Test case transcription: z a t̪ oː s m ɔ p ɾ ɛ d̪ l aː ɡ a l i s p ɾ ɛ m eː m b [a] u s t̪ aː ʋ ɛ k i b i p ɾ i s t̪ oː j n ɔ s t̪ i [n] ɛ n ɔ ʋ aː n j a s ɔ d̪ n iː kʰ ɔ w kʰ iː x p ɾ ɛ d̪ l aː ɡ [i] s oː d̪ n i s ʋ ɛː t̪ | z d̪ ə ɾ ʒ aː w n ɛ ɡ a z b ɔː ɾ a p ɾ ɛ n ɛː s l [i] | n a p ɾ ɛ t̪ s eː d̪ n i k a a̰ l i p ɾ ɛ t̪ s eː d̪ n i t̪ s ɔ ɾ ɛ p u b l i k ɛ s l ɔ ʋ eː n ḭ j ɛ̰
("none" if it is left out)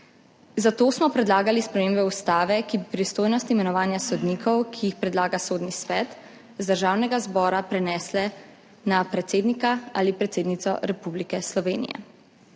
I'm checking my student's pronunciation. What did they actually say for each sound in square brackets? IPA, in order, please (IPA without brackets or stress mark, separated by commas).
ɛ, m, a, ɛ